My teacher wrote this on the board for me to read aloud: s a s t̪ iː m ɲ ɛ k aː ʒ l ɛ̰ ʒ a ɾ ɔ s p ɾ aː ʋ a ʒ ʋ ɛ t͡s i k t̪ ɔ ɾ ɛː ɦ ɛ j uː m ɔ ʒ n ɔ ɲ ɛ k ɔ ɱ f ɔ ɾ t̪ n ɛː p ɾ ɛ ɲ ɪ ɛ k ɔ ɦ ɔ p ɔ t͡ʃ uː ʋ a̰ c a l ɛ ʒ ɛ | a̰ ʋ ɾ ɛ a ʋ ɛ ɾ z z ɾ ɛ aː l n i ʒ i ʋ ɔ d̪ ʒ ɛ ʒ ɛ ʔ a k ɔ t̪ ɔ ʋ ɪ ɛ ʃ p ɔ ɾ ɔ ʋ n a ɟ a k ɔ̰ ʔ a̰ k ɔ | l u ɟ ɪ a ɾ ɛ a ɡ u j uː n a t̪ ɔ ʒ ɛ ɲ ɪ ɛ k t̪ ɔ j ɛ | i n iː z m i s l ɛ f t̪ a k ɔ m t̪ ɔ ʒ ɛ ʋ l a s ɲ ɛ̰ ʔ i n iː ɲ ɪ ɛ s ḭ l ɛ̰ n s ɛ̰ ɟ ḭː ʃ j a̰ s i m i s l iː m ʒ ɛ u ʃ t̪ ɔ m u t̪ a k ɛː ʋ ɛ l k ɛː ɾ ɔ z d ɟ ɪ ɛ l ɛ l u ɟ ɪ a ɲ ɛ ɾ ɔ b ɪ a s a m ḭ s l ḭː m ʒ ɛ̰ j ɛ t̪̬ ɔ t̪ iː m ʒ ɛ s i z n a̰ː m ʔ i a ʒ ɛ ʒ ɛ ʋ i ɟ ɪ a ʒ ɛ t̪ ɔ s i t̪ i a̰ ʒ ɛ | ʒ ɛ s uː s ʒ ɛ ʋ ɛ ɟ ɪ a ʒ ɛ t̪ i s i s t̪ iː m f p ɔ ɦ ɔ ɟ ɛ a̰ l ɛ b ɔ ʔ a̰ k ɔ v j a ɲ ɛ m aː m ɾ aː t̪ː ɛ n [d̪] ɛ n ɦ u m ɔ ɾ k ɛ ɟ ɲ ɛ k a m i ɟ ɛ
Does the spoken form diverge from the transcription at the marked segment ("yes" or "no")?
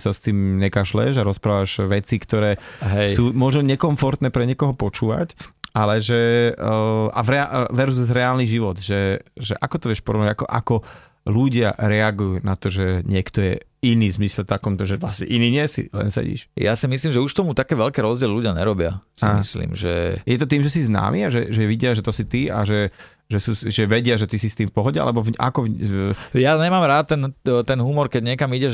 yes